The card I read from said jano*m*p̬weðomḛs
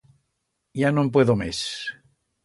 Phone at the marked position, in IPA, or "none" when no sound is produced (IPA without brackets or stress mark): m